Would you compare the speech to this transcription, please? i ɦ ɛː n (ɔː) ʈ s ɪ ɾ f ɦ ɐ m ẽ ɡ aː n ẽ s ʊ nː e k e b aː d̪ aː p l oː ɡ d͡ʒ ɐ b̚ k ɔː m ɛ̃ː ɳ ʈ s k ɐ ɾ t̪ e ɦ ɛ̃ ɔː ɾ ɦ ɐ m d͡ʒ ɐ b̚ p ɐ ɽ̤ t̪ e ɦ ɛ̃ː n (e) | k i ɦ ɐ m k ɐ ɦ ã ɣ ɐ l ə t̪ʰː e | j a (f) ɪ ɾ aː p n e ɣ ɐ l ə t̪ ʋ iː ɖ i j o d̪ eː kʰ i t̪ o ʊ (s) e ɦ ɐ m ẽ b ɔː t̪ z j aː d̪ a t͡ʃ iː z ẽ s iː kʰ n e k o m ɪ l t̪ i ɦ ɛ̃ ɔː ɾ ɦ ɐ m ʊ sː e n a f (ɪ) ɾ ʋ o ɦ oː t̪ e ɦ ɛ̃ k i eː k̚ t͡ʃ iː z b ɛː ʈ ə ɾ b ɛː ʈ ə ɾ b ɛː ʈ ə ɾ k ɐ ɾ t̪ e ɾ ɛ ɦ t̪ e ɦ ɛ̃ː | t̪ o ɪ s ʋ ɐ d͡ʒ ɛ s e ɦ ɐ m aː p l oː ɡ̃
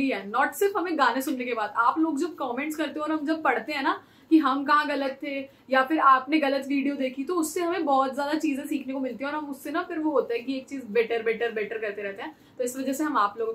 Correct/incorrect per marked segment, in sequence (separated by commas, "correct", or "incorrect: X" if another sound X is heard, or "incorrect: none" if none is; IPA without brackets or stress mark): correct, incorrect: a, correct, incorrect: sː, correct